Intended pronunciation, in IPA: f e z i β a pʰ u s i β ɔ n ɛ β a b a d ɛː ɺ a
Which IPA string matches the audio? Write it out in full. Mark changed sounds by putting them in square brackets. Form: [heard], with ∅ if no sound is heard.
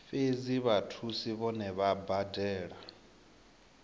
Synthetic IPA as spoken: f e z i β a [tʰ] u s i β ɔ n ɛ β a b a d ɛː ɺ a